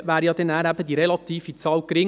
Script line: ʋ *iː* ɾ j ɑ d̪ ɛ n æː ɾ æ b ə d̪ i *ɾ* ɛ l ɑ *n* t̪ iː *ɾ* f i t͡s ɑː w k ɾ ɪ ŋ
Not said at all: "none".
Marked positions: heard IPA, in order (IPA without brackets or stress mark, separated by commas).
æː, ɾ, none, none